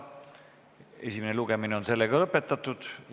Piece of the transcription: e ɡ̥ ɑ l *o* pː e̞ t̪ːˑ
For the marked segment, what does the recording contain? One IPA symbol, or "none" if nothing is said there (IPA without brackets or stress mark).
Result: ɤ